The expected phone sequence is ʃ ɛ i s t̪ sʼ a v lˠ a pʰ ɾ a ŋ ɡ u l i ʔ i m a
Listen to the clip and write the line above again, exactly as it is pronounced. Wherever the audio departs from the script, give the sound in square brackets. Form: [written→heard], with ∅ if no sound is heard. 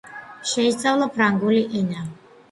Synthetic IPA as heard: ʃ ɛ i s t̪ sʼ a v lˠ a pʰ ɾ a ŋ ɡ u l i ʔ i [m→n] a

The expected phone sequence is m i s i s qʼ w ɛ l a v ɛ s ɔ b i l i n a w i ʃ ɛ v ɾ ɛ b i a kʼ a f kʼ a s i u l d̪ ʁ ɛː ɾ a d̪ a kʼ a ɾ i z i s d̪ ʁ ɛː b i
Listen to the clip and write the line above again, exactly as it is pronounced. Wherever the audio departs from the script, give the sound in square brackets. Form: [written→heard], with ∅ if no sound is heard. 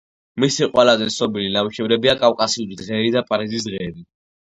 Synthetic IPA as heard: m i s i [s→∅] qʼ w ɛ l a [v→z] ɛ s ɔ b i l i n a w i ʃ ɛ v ɾ ɛ b i a kʼ a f kʼ a s i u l d̪ ʁ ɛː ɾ [a→i] d̪ a [kʼ→pʼ] a ɾ i z i s d̪ ʁ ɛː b i

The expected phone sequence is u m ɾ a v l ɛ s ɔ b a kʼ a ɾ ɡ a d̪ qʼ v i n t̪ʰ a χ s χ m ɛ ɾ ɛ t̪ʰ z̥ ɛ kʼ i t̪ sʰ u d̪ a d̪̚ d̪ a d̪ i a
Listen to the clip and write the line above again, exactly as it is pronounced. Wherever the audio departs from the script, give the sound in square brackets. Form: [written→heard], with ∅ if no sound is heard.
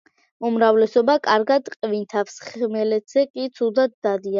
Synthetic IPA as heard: u m ɾ a v l ɛ s ɔ b a kʼ a ɾ ɡ a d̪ qʼ v i n t̪ʰ a [χ→f] s χ m ɛ [ɾ→l] ɛ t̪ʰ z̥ ɛ kʼ i t̪ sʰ u d̪ a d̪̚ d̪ a d̪ i a

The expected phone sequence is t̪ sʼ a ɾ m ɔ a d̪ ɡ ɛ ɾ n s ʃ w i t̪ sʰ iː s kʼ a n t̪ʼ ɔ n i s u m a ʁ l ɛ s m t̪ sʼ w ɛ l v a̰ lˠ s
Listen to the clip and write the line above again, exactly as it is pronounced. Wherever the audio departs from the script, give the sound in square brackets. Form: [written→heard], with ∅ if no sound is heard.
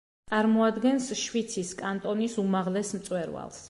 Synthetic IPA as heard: t̪ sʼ a ɾ m ɔ a d̪ ɡ ɛ [ɾ→∅] n s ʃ w i t̪ sʰ [iː→i] s kʼ a n t̪ʼ ɔ n i s u m a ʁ l ɛ s m t̪ sʼ w ɛ [l→ɾ] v a̰ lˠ s

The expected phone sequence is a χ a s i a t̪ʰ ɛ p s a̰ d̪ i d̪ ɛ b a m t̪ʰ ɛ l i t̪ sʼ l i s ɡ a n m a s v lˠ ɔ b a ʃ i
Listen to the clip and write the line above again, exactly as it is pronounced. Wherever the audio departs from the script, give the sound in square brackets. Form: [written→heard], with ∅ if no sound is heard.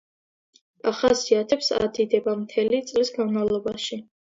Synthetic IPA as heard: a χ a s i a t̪ʰ ɛ p s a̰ d̪ i d̪ ɛ b a m t̪ʰ ɛ l i t̪ sʼ l i s ɡ a n m a [s→∅] v lˠ ɔ b a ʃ i

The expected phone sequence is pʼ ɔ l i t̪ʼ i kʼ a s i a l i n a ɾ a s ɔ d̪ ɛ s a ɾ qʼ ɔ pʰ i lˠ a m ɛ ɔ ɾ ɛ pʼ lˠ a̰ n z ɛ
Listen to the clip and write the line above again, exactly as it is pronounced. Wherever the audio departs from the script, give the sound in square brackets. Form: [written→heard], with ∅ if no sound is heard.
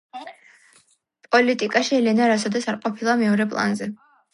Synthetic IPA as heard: pʼ ɔ l i t̪ʼ i kʼ a [s→ʃ] i [a→ɛ] l [i→ɛ] n a ɾ a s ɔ d̪ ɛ s a ɾ qʼ ɔ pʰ i lˠ a m ɛ ɔ ɾ ɛ pʼ lˠ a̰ n z ɛ

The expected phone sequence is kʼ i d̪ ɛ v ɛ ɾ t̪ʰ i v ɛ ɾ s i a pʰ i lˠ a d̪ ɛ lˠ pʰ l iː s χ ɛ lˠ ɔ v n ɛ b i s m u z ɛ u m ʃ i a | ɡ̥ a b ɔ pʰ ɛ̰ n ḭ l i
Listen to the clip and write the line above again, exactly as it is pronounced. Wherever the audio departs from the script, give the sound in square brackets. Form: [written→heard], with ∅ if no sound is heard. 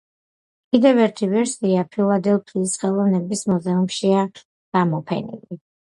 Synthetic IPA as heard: kʼ i d̪ ɛ v ɛ ɾ t̪ʰ i v ɛ ɾ s i a pʰ i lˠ a d̪ ɛ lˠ pʰ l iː s χ ɛ lˠ ɔ v n ɛ b i s m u z ɛ u m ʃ i a | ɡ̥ a [b→m] ɔ pʰ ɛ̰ n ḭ l i

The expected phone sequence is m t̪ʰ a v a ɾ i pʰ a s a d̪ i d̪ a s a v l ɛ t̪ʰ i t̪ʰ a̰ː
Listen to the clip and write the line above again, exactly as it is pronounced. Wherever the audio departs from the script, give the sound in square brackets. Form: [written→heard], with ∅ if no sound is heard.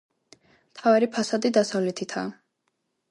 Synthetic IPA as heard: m t̪ʰ a v a ɾ i pʰ a s a d̪ i d̪ a s a v l ɛ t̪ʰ i t̪ʰ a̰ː

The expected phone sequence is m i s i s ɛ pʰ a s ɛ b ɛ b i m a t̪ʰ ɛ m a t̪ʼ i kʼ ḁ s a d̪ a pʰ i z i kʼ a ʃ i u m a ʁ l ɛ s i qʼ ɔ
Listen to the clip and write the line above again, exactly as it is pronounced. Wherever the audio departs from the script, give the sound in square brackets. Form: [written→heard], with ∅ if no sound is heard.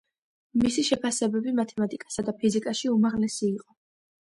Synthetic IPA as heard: m i s i [s→ʃ] ɛ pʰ a s ɛ b ɛ b i m a t̪ʰ ɛ m a t̪ʼ i kʼ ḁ s a d̪ a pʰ i z i kʼ a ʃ i u m a ʁ l ɛ s [i→iː] qʼ ɔ

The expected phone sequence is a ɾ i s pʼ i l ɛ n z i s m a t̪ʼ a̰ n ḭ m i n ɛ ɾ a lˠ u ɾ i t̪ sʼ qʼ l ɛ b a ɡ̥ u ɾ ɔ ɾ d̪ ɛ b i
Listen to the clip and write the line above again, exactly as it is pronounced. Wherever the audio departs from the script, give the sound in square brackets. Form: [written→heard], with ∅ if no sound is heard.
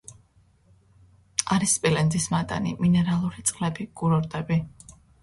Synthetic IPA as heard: a ɾ i s pʼ i l ɛ n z i s m a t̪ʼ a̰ n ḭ m i n ɛ ɾ a lˠ u ɾ i t̪ sʼ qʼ l ɛ b [a→i] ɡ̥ u ɾ ɔ ɾ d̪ ɛ b i

